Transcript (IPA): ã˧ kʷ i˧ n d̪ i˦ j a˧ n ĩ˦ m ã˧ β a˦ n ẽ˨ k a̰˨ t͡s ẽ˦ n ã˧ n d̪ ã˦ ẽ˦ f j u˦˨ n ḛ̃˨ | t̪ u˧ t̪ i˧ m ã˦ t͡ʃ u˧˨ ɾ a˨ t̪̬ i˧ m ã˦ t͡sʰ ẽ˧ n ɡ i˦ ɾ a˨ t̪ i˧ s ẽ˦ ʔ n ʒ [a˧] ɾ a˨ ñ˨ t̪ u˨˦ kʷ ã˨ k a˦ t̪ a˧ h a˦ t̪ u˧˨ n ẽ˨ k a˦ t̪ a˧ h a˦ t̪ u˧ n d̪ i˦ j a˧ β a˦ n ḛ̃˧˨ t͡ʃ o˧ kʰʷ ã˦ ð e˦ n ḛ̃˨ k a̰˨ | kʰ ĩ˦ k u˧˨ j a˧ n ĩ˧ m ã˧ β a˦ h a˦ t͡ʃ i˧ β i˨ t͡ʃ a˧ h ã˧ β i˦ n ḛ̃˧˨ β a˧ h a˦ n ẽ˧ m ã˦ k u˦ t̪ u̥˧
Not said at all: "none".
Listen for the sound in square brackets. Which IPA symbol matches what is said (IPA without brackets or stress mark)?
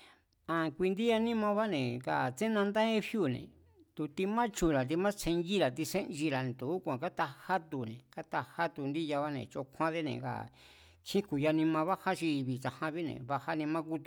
i˧